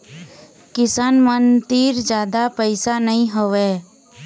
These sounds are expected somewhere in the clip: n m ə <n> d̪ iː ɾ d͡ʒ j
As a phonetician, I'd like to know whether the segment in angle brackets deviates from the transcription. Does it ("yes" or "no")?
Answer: no